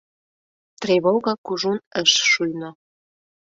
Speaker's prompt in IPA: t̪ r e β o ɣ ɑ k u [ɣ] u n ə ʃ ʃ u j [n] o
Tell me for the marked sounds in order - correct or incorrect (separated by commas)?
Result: incorrect, correct